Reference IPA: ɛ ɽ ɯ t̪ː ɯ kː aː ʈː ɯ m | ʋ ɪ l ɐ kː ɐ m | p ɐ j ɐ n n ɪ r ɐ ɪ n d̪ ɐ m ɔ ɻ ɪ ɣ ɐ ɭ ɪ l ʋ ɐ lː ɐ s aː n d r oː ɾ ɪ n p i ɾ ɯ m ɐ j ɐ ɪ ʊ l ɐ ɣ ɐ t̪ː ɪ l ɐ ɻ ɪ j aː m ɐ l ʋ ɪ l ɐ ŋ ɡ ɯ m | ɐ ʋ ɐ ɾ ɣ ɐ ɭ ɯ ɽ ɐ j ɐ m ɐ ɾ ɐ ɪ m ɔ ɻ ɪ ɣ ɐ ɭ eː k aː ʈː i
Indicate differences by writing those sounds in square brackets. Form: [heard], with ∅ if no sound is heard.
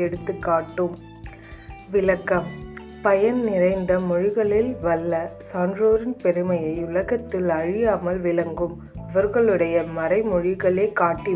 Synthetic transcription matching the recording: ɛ ɽ ɯ t̪ː ɯ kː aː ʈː ɯ m | ʋ ɪ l ɐ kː ɐ m | p ɐ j ɐ n n ɪ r ɐ ɪ n d̪ ɐ m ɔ ɻ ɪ ɣ ɐ ɭ ɪ l ʋ ɐ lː ɐ s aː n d r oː ɾ ɪ n p [ɛ] ɾ ɯ m ɐ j ɐ ɪ ʊ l ɐ ɣ ɐ t̪ː ɪ l ɐ ɻ ɪ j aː m ɐ l ʋ ɪ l ɐ ŋ ɡ ɯ m | ɐ ʋ ɐ ɾ ɣ ɐ ɭ ɯ ɽ ɐ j ɐ m ɐ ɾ ɐ ɪ m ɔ ɻ ɪ ɣ ɐ ɭ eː k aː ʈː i